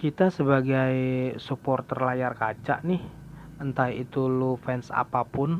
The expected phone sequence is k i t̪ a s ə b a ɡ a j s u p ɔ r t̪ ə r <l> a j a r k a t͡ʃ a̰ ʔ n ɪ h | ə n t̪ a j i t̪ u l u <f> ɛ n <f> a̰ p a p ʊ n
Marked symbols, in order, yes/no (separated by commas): yes, yes, no